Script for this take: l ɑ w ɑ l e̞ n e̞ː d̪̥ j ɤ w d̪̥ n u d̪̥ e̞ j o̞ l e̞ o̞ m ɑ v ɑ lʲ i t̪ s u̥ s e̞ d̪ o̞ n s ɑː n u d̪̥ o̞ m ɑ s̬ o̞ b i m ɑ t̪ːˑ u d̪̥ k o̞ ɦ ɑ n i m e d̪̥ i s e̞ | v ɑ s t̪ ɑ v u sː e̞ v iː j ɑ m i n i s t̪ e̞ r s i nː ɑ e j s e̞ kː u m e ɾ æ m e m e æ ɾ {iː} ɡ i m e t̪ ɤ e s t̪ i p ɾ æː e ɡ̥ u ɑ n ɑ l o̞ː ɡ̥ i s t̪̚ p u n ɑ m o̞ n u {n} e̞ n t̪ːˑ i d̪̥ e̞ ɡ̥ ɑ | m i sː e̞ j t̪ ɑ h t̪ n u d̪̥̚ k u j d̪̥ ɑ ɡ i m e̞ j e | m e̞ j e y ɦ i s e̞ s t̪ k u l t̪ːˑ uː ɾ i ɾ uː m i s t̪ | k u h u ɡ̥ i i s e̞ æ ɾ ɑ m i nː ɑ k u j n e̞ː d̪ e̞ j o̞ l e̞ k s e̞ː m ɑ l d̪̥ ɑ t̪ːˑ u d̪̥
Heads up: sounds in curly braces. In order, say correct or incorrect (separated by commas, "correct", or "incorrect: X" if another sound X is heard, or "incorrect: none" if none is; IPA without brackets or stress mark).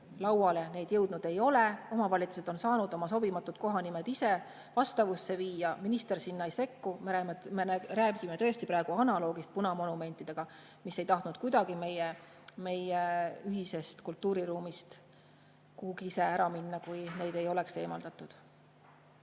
incorrect: æː, incorrect: m